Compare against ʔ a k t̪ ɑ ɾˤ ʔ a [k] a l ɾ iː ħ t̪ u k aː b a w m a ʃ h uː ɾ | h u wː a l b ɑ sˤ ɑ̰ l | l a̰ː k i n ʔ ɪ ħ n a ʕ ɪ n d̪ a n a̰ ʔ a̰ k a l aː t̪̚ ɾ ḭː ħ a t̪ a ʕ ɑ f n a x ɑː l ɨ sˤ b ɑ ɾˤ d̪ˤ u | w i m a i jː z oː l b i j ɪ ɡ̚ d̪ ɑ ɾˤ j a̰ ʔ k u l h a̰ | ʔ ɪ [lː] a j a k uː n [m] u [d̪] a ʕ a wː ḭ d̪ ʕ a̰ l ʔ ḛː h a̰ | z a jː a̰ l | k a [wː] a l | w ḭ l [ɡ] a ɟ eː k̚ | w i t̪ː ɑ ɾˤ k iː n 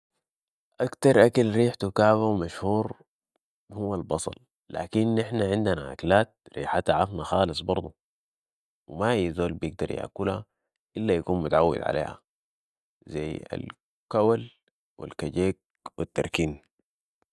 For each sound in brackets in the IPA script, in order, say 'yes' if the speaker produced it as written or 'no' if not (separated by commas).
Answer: yes, yes, yes, no, no, no